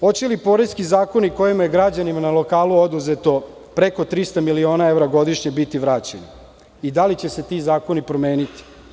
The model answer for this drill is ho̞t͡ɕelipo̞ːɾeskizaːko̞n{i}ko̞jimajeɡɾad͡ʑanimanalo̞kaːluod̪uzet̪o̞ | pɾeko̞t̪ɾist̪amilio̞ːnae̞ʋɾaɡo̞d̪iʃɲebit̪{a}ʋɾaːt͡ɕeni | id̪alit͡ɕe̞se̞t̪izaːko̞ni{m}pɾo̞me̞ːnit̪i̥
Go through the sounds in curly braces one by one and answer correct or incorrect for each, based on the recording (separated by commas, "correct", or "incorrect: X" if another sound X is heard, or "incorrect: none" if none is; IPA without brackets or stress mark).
correct, incorrect: i, incorrect: none